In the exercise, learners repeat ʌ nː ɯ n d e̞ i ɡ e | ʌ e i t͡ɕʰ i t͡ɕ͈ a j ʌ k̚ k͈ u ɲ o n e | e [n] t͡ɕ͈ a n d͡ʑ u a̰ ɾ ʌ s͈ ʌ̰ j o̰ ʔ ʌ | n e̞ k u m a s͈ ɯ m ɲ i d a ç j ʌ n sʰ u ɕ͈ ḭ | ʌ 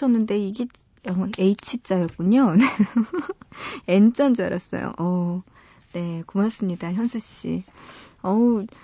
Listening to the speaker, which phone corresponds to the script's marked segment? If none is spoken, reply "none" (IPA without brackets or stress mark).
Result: n